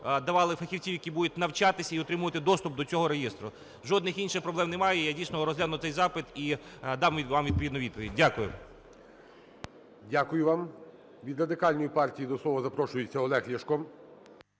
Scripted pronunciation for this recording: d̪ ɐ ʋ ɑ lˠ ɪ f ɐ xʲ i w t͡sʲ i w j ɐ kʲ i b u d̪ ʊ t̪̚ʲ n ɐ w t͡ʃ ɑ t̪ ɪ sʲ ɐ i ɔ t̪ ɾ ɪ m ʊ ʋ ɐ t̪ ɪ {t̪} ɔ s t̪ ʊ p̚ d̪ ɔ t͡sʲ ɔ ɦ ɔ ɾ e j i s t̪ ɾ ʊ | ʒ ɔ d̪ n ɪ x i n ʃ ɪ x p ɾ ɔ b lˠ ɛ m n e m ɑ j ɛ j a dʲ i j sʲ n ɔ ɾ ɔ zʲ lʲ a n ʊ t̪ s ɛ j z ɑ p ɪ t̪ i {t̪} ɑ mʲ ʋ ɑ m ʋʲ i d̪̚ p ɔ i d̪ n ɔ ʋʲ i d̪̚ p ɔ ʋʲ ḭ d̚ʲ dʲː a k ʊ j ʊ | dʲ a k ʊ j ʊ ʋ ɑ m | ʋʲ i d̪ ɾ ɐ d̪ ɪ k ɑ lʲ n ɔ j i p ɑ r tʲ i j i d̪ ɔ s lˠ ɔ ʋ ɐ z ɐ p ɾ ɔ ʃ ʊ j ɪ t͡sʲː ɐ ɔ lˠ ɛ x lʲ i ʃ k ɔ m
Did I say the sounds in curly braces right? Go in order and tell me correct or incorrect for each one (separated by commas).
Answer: incorrect, incorrect